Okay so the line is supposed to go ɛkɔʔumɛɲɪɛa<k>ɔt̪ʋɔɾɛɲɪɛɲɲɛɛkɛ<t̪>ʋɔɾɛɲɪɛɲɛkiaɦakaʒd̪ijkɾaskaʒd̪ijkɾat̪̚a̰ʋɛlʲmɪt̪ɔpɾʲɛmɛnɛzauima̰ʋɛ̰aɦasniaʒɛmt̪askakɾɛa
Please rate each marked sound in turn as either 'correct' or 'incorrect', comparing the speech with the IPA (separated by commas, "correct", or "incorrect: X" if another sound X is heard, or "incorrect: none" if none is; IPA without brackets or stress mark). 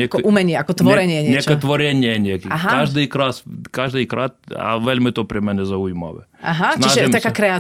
correct, correct